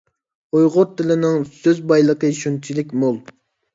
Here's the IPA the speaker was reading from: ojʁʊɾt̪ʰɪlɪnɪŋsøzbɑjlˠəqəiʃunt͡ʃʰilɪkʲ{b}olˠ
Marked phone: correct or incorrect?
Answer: incorrect